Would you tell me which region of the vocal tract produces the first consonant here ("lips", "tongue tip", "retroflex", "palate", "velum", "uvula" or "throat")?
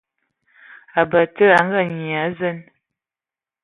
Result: lips